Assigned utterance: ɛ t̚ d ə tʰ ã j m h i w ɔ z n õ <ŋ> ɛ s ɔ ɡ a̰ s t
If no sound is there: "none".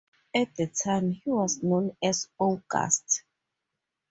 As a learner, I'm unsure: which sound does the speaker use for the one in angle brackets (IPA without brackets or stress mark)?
n